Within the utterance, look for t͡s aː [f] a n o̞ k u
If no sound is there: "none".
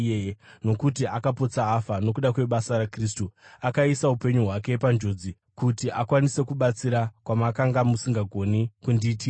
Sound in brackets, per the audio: f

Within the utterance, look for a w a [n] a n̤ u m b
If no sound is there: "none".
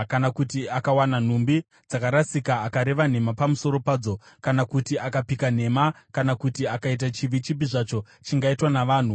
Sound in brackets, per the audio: n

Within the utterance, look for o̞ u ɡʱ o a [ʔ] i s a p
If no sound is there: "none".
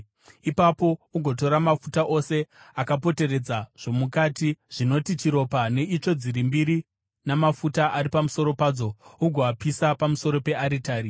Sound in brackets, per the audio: p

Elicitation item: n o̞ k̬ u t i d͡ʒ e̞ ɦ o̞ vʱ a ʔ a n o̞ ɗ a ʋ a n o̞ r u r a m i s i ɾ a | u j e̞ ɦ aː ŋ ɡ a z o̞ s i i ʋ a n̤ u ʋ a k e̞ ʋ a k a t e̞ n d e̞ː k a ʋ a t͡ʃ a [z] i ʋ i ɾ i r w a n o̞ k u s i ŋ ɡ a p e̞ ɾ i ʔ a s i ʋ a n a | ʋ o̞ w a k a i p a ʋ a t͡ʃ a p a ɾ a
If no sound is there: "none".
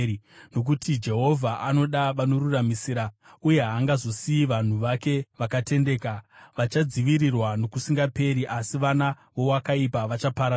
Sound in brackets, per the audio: d͡z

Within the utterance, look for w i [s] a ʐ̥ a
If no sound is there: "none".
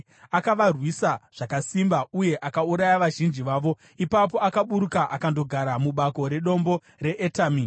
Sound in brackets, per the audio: s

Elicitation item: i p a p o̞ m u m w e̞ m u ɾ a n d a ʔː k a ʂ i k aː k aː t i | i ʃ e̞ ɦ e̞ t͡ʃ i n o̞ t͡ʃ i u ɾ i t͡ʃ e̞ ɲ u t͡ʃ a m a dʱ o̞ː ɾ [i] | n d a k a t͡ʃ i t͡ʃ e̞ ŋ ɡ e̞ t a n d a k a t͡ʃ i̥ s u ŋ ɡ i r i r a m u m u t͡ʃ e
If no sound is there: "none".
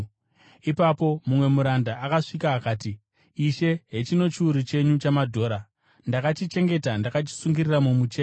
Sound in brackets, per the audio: a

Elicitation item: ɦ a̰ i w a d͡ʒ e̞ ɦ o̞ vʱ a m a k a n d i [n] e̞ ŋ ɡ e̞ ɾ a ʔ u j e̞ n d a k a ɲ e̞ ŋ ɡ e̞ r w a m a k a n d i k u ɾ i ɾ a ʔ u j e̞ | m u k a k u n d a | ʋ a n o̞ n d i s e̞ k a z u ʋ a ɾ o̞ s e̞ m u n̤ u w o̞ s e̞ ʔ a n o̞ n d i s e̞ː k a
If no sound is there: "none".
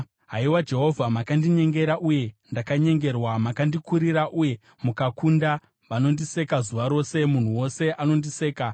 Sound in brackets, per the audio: ɲ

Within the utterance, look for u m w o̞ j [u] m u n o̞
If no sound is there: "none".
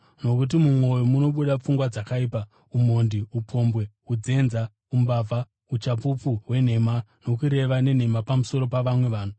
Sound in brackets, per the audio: o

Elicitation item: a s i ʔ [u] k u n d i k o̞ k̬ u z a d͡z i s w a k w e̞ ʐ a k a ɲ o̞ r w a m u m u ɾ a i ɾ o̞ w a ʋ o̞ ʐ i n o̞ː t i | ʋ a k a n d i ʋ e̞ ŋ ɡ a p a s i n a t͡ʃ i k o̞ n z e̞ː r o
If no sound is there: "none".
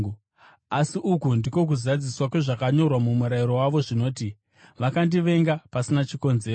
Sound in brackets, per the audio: u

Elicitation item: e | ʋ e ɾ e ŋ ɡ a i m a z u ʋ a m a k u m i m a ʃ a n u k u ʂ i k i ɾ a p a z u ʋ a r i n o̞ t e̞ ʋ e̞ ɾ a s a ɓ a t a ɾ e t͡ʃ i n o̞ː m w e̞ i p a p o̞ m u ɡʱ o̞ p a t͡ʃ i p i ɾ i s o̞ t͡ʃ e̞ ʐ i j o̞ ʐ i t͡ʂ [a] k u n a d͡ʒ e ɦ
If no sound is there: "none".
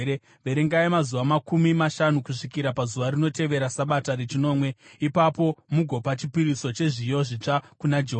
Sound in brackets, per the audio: a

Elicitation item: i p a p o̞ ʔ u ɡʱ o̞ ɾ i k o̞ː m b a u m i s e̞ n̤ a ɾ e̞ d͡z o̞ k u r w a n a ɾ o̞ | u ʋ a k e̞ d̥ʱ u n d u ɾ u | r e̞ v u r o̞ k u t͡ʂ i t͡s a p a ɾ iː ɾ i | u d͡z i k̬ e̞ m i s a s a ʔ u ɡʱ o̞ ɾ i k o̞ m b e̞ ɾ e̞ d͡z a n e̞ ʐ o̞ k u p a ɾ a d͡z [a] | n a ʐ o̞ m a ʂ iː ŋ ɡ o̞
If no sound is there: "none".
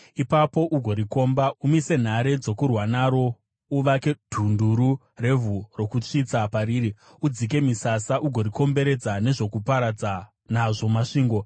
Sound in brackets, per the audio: a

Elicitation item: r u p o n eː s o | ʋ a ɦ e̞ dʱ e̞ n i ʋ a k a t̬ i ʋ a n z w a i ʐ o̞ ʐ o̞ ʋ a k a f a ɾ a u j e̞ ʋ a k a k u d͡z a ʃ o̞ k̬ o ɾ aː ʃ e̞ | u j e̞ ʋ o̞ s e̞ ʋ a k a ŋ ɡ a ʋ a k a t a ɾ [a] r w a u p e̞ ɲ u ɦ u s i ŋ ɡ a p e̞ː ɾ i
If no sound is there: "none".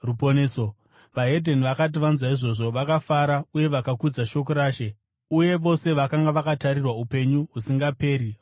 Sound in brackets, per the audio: i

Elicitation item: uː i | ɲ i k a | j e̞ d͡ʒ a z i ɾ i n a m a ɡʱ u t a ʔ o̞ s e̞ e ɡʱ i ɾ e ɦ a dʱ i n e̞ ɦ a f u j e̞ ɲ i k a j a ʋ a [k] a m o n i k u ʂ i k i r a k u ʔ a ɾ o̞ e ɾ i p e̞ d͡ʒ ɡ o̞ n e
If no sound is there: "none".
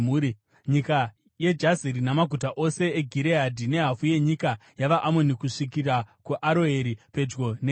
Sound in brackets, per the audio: ʔ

